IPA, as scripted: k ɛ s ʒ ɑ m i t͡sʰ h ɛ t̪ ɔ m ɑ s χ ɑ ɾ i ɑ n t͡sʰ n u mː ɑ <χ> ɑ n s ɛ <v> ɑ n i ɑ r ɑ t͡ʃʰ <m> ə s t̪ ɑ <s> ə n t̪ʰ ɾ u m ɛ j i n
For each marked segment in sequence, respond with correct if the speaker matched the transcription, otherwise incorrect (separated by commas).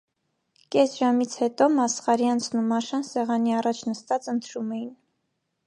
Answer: incorrect, incorrect, incorrect, incorrect